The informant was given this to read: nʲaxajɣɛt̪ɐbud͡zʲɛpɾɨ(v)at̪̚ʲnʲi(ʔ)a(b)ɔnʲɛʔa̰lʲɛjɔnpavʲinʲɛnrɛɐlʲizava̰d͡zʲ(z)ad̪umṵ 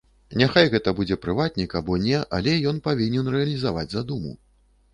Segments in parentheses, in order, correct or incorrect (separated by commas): correct, incorrect, correct, correct